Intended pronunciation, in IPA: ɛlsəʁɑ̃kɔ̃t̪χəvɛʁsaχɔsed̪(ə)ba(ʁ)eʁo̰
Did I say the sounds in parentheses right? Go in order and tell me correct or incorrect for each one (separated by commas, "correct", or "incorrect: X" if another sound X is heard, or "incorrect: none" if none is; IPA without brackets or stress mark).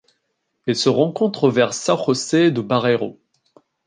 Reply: correct, correct